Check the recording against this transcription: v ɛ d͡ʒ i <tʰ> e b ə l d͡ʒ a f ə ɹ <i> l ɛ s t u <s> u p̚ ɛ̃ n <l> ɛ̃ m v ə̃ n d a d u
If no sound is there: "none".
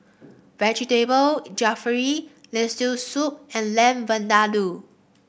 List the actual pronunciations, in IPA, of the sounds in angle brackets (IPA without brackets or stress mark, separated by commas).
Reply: t, i, s, l